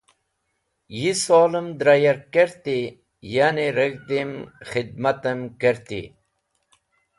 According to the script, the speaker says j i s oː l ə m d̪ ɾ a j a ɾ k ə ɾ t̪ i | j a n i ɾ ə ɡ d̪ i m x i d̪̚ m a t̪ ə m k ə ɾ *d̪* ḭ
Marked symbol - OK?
no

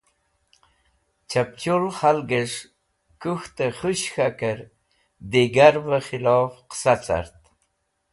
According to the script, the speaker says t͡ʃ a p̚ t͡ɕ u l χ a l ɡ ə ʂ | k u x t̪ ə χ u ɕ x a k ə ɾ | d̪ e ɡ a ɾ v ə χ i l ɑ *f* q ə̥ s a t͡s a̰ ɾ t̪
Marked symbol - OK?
yes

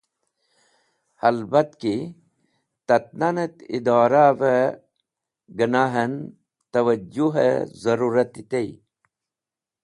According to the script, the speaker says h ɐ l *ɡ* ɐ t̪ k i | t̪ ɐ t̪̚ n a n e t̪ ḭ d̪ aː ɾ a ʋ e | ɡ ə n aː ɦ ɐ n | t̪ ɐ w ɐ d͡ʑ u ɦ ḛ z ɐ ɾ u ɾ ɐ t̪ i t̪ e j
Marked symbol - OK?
no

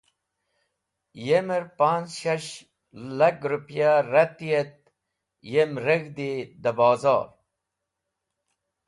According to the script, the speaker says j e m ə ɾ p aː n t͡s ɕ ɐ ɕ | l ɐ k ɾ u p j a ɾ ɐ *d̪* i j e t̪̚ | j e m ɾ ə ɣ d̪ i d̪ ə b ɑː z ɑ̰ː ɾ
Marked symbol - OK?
no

